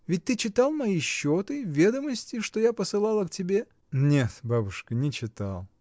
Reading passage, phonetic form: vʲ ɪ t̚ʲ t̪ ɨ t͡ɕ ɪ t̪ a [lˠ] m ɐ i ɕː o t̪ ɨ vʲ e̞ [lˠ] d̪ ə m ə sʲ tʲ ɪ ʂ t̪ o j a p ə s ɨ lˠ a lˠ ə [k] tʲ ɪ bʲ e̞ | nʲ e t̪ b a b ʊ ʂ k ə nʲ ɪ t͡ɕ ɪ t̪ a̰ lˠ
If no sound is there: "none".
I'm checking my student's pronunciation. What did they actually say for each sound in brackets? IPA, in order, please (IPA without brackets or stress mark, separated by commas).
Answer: lˠ, none, k